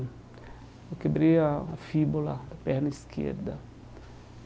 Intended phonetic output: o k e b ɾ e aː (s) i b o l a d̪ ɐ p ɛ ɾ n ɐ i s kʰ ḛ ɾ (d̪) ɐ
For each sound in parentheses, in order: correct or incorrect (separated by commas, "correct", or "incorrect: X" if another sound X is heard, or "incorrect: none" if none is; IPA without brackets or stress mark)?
incorrect: f, correct